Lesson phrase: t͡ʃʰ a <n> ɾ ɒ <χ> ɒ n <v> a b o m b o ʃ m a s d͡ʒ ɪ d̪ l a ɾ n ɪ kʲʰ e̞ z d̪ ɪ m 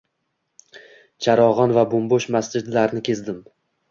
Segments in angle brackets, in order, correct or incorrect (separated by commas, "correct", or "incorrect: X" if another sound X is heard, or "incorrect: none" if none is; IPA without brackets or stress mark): incorrect: none, incorrect: ʁ, correct